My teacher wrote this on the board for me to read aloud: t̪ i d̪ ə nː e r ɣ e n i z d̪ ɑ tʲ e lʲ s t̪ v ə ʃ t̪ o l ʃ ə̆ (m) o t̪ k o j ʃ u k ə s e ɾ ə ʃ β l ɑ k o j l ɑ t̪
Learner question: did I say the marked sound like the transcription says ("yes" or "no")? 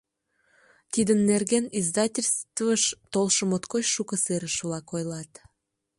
yes